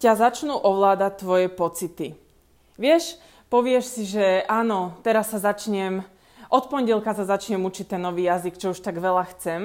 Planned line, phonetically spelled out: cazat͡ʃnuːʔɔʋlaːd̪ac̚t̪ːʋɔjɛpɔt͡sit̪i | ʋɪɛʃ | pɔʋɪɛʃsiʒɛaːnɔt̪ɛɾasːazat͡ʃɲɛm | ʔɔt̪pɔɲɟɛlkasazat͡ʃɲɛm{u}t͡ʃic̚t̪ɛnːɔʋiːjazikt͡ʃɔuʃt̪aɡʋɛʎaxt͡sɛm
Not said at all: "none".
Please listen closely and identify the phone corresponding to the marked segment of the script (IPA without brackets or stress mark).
u